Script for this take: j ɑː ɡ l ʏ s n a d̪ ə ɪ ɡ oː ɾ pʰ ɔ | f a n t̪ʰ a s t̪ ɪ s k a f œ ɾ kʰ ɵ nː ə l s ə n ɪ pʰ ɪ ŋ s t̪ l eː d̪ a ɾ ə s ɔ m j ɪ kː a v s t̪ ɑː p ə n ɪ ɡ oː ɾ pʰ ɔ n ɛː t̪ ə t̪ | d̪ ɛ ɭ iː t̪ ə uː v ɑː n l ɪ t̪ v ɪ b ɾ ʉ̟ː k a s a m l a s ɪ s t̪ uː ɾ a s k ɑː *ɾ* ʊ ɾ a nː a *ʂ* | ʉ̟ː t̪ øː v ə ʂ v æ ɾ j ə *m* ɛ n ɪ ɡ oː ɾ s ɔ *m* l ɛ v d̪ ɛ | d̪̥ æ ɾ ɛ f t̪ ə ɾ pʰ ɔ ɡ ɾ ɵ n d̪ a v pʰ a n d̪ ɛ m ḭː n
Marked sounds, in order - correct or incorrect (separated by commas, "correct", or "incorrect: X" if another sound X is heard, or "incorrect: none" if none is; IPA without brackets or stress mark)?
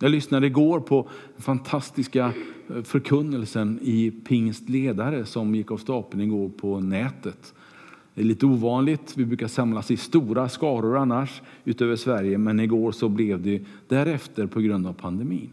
correct, correct, correct, incorrect: b